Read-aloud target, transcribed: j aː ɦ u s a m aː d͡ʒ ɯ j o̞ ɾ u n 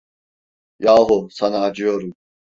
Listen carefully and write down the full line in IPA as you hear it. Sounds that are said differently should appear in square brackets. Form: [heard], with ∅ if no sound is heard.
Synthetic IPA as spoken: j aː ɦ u s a [n] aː d͡ʒ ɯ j o̞ ɾ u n